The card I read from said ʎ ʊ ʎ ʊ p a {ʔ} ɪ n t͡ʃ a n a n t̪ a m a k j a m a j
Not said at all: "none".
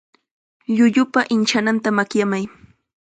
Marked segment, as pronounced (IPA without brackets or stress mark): ʔ